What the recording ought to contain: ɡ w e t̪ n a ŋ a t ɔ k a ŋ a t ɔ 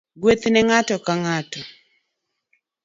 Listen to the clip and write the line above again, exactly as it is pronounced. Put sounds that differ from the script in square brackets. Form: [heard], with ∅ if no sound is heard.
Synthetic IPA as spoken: ɡ w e t̪ n [ɛ] ŋ a t ɔ k a ŋ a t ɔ